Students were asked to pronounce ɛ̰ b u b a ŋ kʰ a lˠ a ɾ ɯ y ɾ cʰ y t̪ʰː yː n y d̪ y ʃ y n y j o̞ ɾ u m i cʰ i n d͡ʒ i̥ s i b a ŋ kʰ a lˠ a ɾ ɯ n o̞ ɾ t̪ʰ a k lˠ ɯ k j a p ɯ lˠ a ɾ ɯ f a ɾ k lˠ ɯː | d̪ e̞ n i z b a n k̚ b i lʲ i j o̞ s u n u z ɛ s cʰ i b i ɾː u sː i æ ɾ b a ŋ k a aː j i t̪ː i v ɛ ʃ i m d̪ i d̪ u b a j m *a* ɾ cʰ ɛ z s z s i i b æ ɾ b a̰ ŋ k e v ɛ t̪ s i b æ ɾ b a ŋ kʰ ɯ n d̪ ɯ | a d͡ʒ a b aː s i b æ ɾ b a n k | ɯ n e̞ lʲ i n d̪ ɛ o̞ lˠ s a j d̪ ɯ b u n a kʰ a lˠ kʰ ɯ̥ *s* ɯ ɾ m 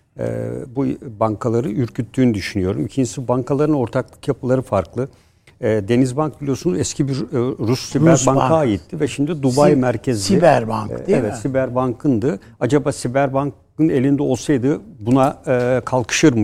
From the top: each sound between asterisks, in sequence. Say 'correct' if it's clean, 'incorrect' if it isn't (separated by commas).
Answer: incorrect, incorrect